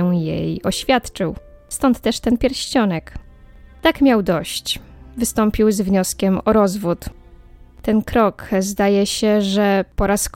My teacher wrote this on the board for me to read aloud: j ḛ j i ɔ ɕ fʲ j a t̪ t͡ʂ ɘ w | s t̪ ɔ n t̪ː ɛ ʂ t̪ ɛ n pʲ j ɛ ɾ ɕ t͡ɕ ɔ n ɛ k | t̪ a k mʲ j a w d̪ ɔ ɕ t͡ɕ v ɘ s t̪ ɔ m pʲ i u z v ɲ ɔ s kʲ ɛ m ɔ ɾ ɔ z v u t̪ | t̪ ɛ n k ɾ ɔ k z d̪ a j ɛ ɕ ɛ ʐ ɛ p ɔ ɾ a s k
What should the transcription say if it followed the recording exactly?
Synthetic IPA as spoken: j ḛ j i ɔ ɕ fʲ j a t̪ t͡ʂ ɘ w | s t̪ ɔ n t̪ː ɛ ʂ t̪ ɛ n pʲ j ɛ ɾ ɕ t͡ɕ ɔ n ɛ k | t̪ a k mʲ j a w d̪ ɔ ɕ t͡ɕ v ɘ s t̪ ɔ m pʲ i w z v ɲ ɔ s kʲ ɛ m ɔ ɾ ɔ z v u t̪ | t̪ ɛ n k ɾ ɔ k z d̪ a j ɛ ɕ ɛ ʐ ɛ p ɔ ɾ a s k